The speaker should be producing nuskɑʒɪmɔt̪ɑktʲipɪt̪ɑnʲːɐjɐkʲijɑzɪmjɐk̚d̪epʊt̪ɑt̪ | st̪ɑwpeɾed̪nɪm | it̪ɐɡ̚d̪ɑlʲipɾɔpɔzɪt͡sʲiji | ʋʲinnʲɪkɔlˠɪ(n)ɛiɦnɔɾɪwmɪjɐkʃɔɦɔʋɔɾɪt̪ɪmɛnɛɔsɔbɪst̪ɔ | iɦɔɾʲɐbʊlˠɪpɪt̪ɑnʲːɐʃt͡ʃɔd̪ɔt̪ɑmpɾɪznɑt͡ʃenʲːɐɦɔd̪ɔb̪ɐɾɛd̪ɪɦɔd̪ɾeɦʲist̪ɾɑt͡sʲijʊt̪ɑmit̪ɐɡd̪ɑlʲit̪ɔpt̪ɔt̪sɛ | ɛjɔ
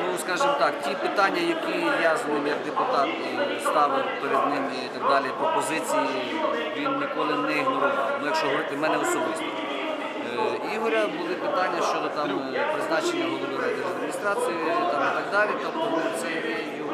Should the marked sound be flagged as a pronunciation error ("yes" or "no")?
no